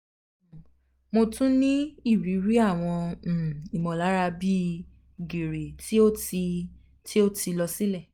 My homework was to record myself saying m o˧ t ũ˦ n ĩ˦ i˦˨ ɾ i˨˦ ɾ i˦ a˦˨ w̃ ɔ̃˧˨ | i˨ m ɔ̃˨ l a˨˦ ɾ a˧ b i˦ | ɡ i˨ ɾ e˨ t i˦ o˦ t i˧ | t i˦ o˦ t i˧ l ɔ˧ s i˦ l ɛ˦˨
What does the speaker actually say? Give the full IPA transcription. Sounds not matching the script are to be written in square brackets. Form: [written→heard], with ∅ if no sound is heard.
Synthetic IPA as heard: m o˧ t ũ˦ n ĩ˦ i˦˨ ɾ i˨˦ ɾ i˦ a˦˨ w̃ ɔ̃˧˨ | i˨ m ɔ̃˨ l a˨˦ ɾ a˧ b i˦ | ɡ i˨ ɾ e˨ t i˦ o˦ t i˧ | t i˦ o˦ t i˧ l ɔ˧ s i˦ l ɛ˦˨